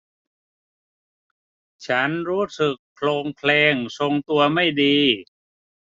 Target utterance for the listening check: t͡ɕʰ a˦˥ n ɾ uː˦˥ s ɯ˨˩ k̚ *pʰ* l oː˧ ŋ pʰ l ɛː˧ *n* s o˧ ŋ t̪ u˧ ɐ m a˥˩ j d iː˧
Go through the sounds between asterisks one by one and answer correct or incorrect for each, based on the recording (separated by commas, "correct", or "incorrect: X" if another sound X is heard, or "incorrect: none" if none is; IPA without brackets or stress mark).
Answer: correct, incorrect: ŋ